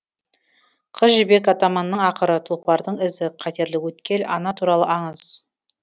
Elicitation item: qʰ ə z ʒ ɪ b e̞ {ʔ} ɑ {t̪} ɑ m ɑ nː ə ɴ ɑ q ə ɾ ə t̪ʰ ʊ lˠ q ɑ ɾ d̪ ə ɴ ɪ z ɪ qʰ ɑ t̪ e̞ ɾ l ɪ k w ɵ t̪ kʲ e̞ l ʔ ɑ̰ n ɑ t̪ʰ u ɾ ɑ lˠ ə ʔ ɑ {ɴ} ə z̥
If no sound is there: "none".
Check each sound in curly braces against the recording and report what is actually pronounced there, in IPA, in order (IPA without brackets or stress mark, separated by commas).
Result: k, t̪, ɴ